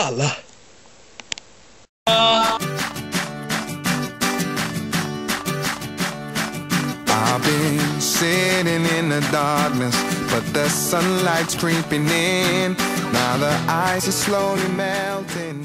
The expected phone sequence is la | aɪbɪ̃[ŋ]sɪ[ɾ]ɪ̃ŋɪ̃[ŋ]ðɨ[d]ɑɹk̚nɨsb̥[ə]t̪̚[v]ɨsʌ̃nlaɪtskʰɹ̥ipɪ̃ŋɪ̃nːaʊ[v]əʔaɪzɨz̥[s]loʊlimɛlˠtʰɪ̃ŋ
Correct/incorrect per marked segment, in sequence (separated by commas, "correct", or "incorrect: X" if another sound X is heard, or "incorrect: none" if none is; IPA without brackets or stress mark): incorrect: n, correct, incorrect: n, correct, incorrect: ʌ, incorrect: ð, incorrect: ð, correct